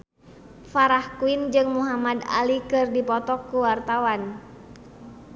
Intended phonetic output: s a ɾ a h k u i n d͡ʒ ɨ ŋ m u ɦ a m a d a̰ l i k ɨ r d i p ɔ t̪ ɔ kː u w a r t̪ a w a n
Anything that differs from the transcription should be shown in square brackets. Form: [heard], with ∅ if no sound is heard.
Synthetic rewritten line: [f] a ɾ a h k u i n d͡ʒ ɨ ŋ m u ɦ a m a d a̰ l i k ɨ r d i p ɔ t̪ ɔ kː u w a r t̪ a w a n